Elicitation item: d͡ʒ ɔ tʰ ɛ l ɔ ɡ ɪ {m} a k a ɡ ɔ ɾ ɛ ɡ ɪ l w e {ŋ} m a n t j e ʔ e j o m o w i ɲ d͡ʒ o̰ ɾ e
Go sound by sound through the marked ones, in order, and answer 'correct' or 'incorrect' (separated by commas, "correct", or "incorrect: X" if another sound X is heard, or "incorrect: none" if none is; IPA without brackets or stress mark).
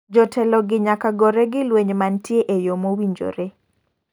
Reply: incorrect: ɲ, incorrect: ɲ